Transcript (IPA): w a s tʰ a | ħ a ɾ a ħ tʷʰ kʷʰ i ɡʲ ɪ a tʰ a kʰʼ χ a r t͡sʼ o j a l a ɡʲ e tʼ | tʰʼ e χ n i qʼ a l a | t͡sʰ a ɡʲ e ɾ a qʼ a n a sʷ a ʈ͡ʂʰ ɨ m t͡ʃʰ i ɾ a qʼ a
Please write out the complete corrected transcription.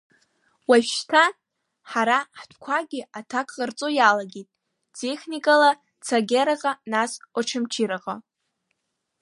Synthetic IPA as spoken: w a ʃ tʰ a | ħ a ɾ a ħ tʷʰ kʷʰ a ɡʲ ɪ a tʰ a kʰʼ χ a r t͡sʼ o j a l a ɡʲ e tʼ | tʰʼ e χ n i kʼ a l a | t͡sʰ a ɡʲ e ɾ a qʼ a n a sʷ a ʈ͡ʂʰ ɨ m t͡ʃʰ i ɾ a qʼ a